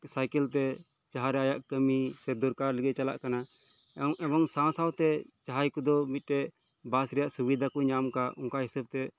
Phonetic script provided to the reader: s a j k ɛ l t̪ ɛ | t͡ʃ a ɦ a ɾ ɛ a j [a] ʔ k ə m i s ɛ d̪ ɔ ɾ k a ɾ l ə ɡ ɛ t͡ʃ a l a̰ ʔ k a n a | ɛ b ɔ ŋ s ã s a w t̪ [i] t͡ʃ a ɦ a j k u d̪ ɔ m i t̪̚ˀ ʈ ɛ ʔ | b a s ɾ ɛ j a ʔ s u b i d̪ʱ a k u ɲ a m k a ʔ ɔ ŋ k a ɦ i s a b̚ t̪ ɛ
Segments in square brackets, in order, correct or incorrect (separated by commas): correct, incorrect